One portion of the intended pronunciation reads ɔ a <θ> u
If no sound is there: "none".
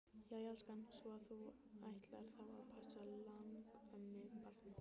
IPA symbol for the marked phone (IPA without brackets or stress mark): θ